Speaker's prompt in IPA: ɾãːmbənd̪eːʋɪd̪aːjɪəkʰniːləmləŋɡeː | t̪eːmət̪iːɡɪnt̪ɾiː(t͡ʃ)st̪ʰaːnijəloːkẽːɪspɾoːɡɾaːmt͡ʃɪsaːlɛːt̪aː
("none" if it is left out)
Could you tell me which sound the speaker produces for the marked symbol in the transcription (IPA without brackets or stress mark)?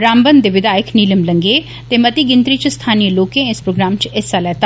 t͡ʃ